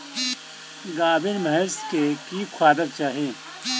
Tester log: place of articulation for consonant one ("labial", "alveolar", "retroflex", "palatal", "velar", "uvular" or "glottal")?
velar